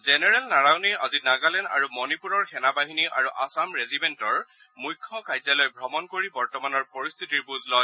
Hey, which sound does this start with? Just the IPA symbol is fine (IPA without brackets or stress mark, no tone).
z